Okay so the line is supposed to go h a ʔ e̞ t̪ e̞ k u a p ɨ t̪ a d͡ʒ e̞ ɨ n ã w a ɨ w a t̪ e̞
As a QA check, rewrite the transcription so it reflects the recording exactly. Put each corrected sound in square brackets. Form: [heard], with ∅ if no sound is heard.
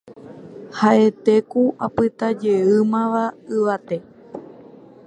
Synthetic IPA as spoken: h a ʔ e̞ t̪ e̞ k u a p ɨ t̪ a d͡ʒ e̞ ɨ [m] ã [ʋ] a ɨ [ʋ] a t̪ e̞